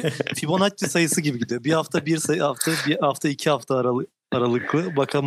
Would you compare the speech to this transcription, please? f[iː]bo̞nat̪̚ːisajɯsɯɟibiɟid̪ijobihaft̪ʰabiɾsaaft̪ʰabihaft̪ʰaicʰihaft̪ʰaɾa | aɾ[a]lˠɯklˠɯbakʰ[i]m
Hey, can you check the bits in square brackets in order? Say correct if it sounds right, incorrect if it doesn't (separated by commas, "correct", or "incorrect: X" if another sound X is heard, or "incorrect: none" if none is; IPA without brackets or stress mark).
incorrect: i, correct, incorrect: a